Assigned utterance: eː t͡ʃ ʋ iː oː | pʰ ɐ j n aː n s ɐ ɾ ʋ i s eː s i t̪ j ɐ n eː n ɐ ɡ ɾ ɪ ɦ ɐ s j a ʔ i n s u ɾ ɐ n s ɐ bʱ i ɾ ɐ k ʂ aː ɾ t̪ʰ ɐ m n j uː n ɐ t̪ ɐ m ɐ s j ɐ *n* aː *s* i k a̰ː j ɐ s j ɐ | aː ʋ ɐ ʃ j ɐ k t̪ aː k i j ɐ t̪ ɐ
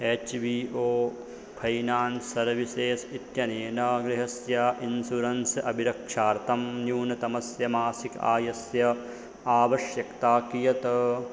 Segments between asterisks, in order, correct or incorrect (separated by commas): incorrect, correct